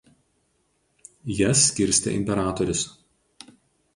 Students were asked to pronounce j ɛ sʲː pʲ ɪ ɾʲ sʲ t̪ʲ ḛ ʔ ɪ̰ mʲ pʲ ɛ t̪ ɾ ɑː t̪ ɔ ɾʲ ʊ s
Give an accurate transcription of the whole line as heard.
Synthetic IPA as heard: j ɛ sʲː kʲ ɪ ɾʲ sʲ t̪ʲ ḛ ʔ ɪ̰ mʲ pʲ ɛ ɾ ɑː t̪ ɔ ɾʲ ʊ s